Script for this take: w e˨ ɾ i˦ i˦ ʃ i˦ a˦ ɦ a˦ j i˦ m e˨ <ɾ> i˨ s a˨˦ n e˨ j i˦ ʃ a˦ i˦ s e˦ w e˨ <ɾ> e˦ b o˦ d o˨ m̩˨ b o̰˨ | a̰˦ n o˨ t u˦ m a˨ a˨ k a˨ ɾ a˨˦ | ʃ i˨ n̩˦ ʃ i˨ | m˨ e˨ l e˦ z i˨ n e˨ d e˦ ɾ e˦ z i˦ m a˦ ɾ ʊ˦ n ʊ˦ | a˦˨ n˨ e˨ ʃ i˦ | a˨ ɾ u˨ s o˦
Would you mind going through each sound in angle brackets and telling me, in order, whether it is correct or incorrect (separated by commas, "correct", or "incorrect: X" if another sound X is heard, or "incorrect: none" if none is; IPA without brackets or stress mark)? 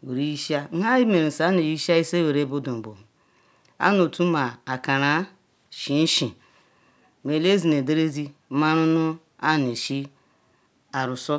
correct, correct